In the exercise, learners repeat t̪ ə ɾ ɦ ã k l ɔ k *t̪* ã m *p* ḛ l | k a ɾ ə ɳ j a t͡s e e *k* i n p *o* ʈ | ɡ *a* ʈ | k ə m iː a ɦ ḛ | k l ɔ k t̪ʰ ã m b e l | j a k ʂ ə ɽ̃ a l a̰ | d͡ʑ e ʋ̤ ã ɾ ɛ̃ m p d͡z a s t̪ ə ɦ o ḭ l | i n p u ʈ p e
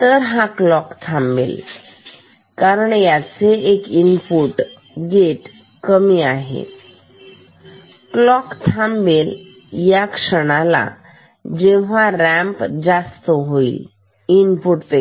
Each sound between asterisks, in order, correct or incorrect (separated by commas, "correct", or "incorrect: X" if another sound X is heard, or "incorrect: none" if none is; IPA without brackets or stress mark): incorrect: t̪ʰ, incorrect: b, correct, incorrect: u, incorrect: e